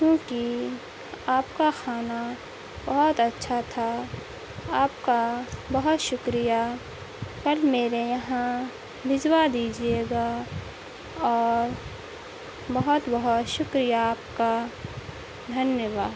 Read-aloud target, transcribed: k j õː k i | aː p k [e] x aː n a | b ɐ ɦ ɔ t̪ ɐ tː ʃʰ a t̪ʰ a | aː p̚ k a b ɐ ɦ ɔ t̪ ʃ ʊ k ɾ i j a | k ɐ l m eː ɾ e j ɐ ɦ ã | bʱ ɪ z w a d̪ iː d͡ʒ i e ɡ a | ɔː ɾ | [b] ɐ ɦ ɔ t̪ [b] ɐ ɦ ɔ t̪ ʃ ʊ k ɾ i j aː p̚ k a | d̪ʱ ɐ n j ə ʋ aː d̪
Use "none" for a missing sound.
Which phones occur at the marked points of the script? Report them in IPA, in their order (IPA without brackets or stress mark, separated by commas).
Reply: a, b, b